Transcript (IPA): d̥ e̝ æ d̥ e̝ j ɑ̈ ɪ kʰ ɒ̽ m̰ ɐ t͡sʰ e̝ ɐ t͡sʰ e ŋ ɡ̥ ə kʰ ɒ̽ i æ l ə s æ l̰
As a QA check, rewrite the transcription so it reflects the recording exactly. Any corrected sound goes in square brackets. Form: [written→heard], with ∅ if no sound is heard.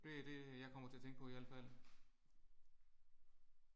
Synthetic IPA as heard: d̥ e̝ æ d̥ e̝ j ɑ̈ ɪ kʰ ɒ̽ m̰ ɐ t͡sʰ e̝ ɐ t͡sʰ e ŋ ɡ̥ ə [kʰ→pʰ] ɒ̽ i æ l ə [s→f] æ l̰

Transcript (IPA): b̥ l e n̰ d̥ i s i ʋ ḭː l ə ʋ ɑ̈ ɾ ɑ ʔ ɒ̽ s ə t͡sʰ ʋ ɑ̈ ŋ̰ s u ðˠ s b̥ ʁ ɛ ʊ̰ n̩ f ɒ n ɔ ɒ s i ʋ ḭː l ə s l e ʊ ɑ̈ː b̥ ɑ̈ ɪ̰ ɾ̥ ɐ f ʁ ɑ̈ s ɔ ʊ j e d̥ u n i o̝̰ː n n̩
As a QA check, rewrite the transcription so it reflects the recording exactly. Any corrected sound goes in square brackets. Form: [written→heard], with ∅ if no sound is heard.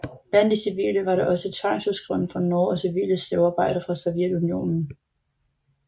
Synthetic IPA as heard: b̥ l [e→æ] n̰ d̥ i s i ʋ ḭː l ə ʋ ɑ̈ ɾ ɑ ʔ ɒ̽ s ə t͡sʰ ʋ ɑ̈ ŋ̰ s u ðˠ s [b̥→ɡ̥] ʁ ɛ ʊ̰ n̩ f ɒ n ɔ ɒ s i ʋ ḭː l ə s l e ʊ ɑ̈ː b̥ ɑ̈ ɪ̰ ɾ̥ ɐ f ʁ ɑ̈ s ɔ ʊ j e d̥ u n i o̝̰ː n n̩

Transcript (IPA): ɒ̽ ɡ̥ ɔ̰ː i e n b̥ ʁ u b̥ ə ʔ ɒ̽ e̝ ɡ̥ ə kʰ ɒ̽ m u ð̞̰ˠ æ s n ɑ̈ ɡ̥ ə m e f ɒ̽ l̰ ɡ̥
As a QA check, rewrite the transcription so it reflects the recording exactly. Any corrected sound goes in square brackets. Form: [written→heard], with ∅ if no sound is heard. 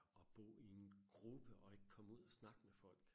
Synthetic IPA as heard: ɒ̽ [ɡ̥→b̥] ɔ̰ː i e n [b̥→ɡ̥] ʁ u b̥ ə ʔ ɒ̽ e̝ ɡ̥ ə kʰ ɒ̽ m u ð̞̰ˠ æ s n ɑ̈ ɡ̥ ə m e f ɒ̽ l̰ ɡ̥

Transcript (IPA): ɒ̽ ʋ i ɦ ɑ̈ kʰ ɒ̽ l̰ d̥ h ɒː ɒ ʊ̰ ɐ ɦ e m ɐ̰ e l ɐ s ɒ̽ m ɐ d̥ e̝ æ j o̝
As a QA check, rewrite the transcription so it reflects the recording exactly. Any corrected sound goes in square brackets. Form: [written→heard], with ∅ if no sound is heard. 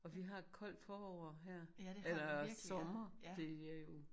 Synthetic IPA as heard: ɒ̽ ʋ i ɦ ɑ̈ kʰ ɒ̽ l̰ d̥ [h→f] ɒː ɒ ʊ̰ ɐ ɦ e [m→∅] ɐ̰ e l ɐ s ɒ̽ m ɐ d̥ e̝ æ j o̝

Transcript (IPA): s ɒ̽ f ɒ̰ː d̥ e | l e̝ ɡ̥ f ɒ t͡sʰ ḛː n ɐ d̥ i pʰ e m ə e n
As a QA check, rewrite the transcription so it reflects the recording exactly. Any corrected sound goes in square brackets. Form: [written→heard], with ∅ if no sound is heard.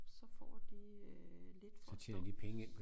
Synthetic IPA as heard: s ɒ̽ f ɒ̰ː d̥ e | l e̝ [ɡ̥→d̥] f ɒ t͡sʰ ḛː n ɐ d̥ i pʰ e [m→ŋ] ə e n

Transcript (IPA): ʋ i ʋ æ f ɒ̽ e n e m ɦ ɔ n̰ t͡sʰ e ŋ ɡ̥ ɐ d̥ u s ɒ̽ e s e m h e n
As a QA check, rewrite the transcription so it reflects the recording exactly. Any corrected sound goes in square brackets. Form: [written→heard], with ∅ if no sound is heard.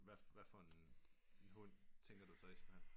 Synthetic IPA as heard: ʋ [i→æ] ʋ æ f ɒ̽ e n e [m→n] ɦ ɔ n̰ t͡sʰ e ŋ ɡ̥ ɐ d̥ u s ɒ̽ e s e m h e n

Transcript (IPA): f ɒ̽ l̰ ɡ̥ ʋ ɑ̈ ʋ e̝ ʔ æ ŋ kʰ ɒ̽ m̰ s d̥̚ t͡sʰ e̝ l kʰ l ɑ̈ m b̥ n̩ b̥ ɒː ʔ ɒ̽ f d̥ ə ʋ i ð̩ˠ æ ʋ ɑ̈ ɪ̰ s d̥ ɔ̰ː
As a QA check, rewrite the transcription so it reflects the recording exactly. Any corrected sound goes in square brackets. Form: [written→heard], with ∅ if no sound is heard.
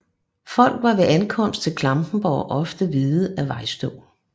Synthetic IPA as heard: f ɒ̽ l̰ ɡ̥ ʋ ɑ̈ ʋ e̝ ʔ æ [ŋ→n] kʰ ɒ̽ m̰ s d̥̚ t͡sʰ e̝ l kʰ l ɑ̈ m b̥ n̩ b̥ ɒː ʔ ɒ̽ f d̥ ə ʋ i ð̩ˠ æ ʋ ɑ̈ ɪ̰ s d̥ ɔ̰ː

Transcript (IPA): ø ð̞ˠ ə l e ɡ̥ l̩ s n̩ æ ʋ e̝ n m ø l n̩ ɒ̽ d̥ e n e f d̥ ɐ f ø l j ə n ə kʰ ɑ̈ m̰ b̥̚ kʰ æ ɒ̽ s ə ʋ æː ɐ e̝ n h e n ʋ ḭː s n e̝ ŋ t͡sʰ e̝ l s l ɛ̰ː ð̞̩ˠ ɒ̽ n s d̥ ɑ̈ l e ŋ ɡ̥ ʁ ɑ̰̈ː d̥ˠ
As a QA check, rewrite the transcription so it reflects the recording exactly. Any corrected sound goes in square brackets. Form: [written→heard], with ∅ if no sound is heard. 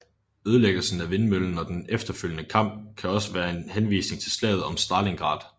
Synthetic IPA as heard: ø ð̞ˠ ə l e ɡ̥ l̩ s n̩ æ ʋ e̝ n m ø l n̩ ɒ̽ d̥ e n e f d̥ ɐ f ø l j ə n ə kʰ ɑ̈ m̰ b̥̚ kʰ æ ɒ̽ s ə ʋ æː ɐ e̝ n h e n ʋ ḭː s n e̝ ŋ t͡sʰ e̝ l s l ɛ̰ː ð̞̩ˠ ɒ̽ [n→m] s d̥ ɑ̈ l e ŋ ɡ̥ ʁ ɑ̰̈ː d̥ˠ

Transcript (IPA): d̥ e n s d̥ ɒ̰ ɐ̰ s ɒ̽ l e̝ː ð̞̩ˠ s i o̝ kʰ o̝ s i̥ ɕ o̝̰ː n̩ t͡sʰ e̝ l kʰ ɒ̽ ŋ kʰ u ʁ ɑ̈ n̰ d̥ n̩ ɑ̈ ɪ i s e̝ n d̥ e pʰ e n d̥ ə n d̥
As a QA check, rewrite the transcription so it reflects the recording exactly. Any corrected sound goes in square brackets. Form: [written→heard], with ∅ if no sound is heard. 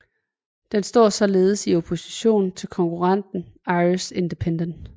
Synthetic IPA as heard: d̥ e n s d̥ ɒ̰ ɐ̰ s ɒ̽ l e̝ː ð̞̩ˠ s i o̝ [kʰ→pʰ] o̝ s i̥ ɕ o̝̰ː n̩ t͡sʰ e̝ l kʰ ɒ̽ ŋ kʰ u ʁ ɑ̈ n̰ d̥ n̩ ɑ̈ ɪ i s e̝ n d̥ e pʰ e n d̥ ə n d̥

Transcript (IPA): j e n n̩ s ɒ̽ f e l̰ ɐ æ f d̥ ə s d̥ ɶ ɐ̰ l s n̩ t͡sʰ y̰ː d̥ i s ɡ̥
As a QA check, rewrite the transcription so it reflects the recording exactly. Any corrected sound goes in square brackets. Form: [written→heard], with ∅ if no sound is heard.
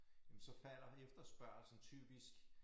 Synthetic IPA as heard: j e [n→m] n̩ s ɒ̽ f [e→æ] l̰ ɐ [æ→e] f d̥ [ə→ɐ] s [d̥→b̥] ɶ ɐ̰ l s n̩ t͡sʰ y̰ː [d̥→b̥] i s ɡ̥

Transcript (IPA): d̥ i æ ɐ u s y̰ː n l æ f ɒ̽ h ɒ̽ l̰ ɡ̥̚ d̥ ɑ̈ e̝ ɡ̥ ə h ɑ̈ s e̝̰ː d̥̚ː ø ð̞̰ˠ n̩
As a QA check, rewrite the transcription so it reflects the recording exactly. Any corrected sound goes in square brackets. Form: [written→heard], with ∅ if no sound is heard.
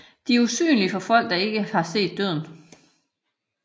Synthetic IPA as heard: d̥ i æ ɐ u s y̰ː n l [æ→i] f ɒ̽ [h→f] ɒ̽ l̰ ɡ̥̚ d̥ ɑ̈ e̝ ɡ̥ ə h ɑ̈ s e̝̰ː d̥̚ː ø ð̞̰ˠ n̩

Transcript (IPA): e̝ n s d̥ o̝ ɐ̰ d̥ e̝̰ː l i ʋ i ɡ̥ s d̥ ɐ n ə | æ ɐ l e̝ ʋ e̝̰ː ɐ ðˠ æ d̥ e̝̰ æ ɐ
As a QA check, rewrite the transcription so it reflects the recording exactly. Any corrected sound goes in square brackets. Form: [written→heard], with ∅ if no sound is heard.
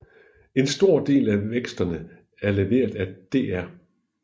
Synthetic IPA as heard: e̝ n s d̥ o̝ ɐ̰ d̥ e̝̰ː l [i→æ] ʋ [i→e] ɡ̥ s d̥ ɐ n ə | æ ɐ l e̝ ʋ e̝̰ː ɐ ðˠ æ d̥ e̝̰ æ ɐ

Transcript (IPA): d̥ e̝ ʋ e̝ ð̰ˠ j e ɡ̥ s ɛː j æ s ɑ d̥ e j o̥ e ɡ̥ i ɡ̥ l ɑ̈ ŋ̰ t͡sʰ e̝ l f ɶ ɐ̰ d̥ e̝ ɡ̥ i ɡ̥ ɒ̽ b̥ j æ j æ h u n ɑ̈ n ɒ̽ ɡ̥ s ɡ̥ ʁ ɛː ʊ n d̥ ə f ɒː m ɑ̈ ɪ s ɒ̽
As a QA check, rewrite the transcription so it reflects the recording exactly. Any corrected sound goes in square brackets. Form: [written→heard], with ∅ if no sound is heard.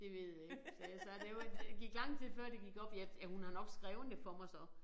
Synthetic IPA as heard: d̥ e̝ ʋ e̝ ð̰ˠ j e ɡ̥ s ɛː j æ s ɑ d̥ e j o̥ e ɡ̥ i ɡ̥ l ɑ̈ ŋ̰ t͡sʰ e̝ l f ɶ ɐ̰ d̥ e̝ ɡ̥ i ɡ̥ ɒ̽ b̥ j æ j æ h u n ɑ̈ n ɒ̽ ɡ̥ s ɡ̥ ʁ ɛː ʊ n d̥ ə f [ɒː→ɒ] m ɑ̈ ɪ s ɒ̽

